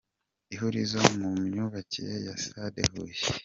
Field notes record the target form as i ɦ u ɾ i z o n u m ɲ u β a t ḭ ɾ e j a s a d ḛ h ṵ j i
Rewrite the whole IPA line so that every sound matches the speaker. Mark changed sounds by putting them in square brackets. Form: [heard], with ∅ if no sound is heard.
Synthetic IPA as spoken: i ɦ u ɾ i z o [m] u m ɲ u β a [c] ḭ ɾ e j a s a d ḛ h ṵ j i